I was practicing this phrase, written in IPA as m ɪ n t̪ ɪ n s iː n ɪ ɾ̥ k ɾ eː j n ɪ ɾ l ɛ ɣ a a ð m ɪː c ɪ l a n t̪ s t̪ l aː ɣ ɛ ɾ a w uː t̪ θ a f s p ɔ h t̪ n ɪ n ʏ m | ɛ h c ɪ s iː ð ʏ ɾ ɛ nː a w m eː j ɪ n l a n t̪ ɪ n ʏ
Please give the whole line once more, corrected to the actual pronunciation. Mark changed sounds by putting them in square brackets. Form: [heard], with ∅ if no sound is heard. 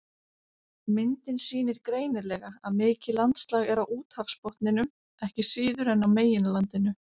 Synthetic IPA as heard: m ɪ n t̪ ɪ n s iː n ɪ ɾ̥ k ɾ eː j n ɪ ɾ l ɛ ɣ a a ð m ɪː c ɪ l a n t̪ s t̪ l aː ɣ ɛ ɾ a w uː t̪ [h] a f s p ɔ h t̪ n ɪ n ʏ m | ɛ h c ɪ s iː ð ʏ ɾ ɛ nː a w m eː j ɪ n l a n t̪ ɪ n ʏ